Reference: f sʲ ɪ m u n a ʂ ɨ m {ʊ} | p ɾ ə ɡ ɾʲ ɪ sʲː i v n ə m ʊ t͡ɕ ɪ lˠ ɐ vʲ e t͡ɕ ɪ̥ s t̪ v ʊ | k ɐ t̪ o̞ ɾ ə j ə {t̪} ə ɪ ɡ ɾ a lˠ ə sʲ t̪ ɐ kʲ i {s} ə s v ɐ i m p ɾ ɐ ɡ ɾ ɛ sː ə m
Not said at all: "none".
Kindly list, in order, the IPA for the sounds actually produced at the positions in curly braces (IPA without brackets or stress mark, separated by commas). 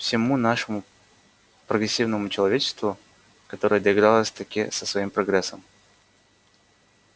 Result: ʊ, d̪, s